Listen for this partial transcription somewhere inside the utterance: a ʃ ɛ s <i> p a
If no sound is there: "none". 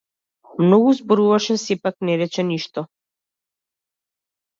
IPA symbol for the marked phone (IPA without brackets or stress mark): ɛ